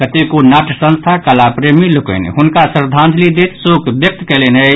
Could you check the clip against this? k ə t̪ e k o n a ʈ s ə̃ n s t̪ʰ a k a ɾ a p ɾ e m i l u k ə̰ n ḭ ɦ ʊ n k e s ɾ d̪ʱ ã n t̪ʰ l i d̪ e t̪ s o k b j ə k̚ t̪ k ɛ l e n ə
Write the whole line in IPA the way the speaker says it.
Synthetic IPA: k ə t̪ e k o n a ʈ s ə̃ n s t̪ʰ a k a l a p ɾ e m i l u k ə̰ n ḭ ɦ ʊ n k a s ɾ d̪ʱ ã n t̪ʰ l i d̪ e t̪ s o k b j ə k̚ t̪ k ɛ l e n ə

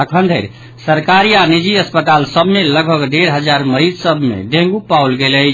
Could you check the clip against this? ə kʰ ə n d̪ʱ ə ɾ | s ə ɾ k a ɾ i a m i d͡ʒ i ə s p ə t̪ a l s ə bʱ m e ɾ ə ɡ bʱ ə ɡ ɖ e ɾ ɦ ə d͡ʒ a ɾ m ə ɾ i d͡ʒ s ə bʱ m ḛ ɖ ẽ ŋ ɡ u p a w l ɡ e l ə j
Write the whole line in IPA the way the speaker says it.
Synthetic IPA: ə kʰ ə n d̪ʱ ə ɾ | s ə ɾ k a ɾ i a n i d͡ʒ i ə s p ə t̪ a l s ə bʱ m e l ə ɡ bʱ ə ɡ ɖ e ɾ ɦ ə d͡ʒ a ɾ m ə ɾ i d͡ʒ s ə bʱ m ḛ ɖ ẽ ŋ ɡ u p a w l ɡ e l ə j

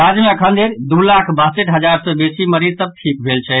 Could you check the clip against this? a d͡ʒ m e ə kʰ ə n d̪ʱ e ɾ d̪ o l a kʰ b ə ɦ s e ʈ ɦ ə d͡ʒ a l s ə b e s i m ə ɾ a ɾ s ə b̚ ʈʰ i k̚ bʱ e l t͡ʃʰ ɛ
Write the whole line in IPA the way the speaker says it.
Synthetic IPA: a d͡ʒ m e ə kʰ ə n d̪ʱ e ɾ d̪ u l a kʰ b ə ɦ s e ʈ ɦ ə d͡ʒ a ɾ s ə b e s i m ə ɾ i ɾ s ə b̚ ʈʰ i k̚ bʱ e l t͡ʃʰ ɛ

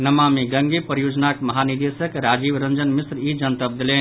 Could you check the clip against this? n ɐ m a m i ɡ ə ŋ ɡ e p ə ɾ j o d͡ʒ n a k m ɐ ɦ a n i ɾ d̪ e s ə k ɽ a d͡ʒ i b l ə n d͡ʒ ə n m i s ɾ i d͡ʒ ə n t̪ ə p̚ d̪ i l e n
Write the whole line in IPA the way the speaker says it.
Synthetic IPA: n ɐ m a m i ɡ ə ŋ ɡ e p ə ɾ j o d͡ʒ n a k m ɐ ɦ a n i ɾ d̪ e s ə k ɾ a d͡ʒ i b ɾ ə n d͡ʒ ə n m i s ɾ i d͡ʒ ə n t̪ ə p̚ d̪ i l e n

